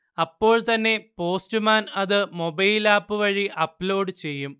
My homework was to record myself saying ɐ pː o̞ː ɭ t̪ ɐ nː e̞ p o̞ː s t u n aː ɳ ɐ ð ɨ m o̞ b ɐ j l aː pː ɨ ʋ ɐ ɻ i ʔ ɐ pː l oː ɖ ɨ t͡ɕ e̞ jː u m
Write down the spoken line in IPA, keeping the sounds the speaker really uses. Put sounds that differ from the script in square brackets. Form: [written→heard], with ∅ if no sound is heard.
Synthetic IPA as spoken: ɐ pː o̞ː ɭ t̪ ɐ nː e̞ p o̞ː s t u [n→m] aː [ɳ→n] ɐ ð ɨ m o̞ b ɐ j l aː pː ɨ ʋ ɐ ɻ i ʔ ɐ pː l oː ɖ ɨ t͡ɕ e̞ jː u m